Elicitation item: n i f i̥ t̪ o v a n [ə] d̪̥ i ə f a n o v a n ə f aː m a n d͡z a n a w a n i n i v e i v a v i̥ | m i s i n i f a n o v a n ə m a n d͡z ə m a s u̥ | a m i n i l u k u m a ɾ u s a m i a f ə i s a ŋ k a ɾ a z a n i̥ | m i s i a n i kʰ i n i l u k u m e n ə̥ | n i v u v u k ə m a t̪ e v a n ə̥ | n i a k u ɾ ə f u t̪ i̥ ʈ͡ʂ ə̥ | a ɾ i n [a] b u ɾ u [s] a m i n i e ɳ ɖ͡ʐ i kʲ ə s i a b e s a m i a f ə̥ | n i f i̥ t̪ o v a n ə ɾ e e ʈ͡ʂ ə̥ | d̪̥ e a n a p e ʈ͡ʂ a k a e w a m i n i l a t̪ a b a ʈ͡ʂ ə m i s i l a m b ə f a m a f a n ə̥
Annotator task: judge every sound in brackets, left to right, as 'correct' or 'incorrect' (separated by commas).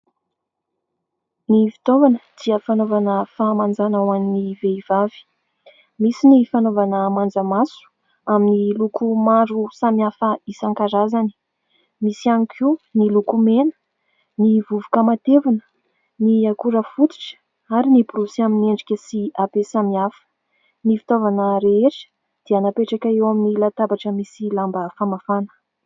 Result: correct, incorrect, correct